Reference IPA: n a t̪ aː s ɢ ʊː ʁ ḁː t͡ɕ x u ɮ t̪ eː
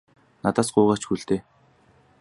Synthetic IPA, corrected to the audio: n a t̪ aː s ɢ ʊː ʁ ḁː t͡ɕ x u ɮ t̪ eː